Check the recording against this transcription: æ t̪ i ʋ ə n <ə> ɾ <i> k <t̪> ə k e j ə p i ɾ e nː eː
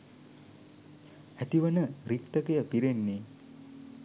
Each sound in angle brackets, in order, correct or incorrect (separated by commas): correct, correct, correct